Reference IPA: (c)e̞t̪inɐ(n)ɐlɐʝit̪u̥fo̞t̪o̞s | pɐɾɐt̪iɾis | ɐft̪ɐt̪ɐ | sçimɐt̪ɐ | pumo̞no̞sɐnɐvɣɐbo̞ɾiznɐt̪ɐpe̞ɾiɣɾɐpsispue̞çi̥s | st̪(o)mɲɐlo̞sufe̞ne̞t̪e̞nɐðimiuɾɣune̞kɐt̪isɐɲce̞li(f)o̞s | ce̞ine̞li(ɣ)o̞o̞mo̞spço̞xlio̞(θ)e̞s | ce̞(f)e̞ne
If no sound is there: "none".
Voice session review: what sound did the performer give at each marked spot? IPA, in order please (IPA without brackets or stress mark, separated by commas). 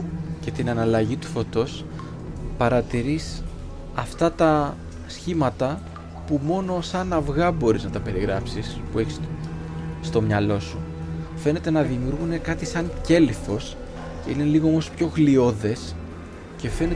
c, n, o, f, ɣ, ð, f